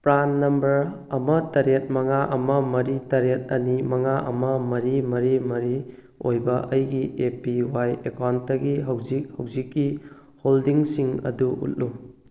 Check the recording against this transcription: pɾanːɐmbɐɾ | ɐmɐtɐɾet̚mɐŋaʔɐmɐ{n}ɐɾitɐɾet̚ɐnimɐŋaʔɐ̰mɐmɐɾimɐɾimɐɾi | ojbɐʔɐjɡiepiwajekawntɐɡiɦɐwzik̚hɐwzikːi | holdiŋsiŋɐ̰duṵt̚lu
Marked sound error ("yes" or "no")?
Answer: yes